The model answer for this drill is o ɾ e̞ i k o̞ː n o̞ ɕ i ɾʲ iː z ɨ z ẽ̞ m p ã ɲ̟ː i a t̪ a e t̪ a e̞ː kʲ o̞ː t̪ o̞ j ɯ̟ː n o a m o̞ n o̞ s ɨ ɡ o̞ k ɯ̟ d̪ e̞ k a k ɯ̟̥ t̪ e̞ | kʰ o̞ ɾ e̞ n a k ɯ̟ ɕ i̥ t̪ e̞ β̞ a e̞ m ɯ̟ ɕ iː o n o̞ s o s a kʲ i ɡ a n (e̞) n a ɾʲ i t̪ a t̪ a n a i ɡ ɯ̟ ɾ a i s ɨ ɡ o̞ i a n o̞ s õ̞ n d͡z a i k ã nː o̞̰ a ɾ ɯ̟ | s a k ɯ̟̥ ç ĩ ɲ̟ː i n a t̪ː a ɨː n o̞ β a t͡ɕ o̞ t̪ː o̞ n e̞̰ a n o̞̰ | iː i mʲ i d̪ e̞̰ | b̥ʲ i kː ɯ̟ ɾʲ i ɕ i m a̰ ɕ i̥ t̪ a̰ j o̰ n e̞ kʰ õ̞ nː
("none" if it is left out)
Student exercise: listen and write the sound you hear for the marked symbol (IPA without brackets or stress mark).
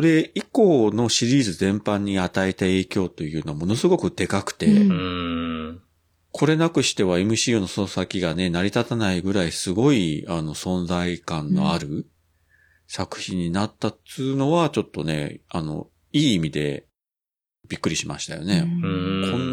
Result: e̞